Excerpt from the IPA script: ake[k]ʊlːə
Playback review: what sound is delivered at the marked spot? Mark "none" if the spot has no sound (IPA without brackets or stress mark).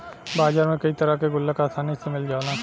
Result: ɡ